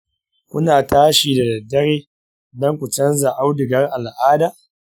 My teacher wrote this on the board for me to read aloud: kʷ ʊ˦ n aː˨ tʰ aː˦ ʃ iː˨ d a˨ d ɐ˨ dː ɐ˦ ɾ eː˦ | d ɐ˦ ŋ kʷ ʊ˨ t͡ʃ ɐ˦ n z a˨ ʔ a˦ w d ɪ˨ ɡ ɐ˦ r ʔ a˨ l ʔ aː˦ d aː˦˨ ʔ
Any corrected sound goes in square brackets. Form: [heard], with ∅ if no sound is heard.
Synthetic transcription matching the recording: kʷ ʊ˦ n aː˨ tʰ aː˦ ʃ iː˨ d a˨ d ɐ˨ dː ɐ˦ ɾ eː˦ | d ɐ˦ ŋ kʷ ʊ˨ t͡ʃ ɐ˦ n z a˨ ʔ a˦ w d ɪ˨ ɡ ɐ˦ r ʔ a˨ l ʔ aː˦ d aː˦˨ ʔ

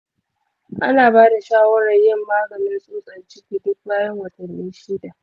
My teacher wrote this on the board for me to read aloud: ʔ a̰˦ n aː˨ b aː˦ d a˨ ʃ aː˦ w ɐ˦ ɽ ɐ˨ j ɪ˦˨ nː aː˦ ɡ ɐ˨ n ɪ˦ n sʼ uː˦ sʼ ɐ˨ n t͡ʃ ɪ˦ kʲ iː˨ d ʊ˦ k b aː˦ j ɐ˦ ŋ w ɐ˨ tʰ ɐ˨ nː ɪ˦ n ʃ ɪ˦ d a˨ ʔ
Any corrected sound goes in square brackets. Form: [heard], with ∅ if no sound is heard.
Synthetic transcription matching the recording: ʔ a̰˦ n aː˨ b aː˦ d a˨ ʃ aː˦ w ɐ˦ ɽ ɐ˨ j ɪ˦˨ [mː] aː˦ ɡ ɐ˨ n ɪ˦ n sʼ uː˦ sʼ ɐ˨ n t͡ʃ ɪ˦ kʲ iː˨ d ʊ˦ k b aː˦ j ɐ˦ ŋ w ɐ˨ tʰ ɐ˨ nː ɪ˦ n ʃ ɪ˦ d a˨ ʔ

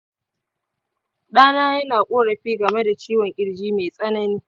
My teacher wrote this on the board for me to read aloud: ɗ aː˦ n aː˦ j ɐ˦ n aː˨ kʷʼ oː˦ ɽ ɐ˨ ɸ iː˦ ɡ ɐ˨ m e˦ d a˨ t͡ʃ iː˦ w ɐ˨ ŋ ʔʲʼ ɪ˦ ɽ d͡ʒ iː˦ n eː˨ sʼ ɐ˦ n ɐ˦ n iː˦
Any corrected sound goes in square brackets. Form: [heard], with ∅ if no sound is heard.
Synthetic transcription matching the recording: ɗ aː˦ n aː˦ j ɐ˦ n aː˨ kʷʼ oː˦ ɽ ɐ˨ ɸ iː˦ ɡ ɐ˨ m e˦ d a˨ t͡ʃ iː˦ w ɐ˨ ŋ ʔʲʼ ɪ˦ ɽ d͡ʒ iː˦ [m] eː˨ sʼ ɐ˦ n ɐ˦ n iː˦

